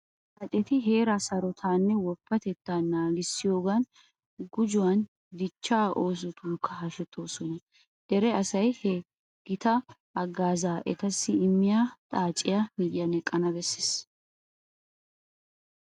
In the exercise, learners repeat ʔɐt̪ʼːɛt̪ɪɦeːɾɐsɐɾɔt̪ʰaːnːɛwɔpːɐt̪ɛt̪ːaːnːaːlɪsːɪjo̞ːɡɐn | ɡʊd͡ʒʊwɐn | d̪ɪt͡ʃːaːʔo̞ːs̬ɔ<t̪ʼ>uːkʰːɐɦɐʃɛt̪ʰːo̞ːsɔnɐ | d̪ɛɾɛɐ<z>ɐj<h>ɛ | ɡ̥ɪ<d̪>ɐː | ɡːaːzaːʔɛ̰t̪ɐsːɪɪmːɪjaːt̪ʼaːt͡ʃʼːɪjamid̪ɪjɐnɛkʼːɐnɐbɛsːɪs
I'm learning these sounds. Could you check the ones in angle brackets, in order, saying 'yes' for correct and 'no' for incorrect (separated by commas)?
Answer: no, no, yes, no